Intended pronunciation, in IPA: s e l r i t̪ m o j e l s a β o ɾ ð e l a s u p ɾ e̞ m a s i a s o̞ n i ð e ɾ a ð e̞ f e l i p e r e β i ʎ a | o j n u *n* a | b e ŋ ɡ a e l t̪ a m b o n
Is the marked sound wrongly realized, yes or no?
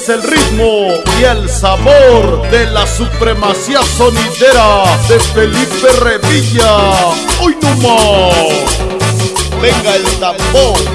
yes